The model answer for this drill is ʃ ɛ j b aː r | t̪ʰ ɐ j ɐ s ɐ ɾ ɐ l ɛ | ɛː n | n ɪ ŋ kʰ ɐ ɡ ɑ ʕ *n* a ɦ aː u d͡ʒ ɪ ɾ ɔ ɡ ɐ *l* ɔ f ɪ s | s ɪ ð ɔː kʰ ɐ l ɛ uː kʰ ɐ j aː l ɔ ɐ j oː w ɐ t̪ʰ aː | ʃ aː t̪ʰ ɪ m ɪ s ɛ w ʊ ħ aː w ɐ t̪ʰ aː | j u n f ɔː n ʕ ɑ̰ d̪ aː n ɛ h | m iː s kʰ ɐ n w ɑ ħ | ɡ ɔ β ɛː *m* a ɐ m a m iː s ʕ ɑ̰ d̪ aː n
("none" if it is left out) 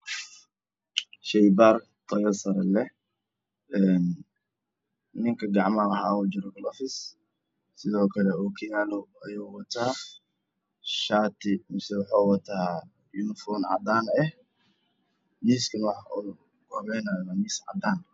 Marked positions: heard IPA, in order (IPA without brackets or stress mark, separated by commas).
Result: m, l, n